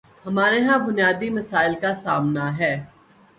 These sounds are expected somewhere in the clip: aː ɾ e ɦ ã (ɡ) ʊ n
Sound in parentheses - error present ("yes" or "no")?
yes